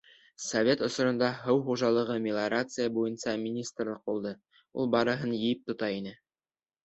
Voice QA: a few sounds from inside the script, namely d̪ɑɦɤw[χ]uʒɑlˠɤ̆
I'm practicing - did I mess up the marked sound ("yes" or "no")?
no